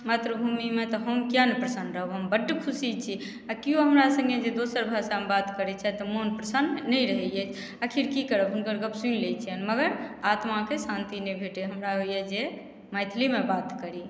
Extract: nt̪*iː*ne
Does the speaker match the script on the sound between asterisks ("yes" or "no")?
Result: no